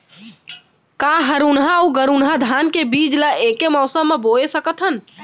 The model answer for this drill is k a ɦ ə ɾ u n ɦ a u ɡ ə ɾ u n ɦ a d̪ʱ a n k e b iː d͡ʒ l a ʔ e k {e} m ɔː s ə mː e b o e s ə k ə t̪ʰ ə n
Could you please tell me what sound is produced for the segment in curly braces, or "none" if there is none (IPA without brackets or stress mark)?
e